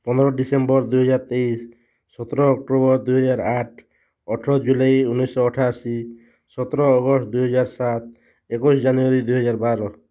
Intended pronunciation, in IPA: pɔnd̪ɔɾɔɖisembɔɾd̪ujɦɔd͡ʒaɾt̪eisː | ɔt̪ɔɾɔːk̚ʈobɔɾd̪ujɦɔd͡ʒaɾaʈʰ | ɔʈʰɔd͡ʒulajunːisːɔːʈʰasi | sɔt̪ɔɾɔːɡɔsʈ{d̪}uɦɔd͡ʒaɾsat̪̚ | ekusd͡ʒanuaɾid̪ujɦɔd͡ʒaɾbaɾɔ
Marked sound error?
no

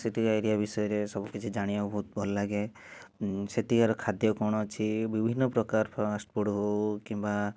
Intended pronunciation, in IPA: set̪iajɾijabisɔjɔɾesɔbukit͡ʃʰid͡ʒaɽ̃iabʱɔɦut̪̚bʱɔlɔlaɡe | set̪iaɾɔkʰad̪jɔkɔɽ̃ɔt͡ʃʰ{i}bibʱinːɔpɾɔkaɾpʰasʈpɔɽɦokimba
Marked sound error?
no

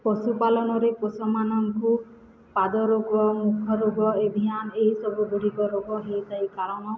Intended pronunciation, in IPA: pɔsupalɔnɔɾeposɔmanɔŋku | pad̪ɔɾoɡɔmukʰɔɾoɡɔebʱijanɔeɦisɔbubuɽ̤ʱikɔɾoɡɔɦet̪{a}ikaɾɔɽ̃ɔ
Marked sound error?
no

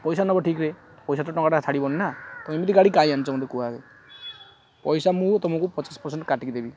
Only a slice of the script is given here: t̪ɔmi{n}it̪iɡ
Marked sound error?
yes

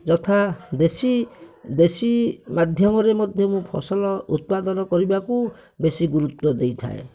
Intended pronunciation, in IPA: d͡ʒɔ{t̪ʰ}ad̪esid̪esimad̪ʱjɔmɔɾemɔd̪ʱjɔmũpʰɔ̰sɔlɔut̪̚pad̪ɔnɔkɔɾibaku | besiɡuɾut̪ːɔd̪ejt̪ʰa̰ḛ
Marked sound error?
no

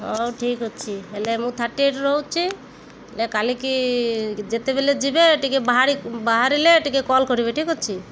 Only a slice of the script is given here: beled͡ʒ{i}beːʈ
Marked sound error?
no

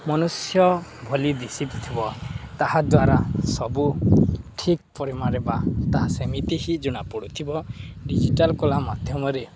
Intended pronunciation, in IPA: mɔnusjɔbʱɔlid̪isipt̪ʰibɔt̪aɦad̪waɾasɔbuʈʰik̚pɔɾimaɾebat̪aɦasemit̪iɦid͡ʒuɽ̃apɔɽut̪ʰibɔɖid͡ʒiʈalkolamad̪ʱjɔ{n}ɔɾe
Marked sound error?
yes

